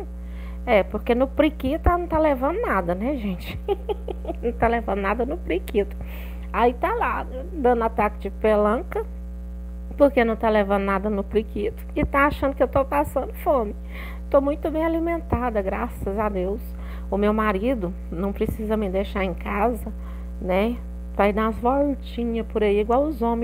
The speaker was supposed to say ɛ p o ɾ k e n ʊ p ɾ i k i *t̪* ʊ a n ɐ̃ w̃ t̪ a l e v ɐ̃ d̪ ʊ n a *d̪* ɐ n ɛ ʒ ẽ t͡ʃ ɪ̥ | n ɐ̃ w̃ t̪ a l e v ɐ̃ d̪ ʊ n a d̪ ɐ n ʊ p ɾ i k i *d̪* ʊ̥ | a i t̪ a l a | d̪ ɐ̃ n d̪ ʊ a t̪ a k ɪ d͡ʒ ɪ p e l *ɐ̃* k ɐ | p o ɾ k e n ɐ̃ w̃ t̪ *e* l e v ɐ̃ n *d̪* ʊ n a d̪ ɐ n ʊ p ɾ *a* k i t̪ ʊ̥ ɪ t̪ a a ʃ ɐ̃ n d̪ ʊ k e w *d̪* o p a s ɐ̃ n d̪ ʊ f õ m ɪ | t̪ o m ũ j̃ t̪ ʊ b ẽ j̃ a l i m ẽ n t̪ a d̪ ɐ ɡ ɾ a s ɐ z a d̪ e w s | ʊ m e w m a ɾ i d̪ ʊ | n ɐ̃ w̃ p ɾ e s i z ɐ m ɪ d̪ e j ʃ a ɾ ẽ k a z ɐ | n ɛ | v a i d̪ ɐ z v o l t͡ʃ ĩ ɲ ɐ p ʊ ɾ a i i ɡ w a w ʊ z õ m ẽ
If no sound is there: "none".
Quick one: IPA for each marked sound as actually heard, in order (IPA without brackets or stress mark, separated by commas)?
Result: t̪, d̪, t̪, ɐ̃, a, d̪, i, t̪